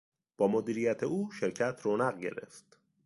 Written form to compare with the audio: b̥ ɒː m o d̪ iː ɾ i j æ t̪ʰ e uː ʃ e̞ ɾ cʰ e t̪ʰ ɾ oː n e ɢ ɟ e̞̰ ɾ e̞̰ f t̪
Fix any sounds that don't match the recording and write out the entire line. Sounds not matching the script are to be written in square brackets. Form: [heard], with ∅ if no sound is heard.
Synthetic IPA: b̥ ɒː m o d̪ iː ɾ i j æ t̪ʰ e uː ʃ e̞ ɾ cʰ [æ] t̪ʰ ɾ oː n [æ] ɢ ɟ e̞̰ ɾ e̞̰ f t̪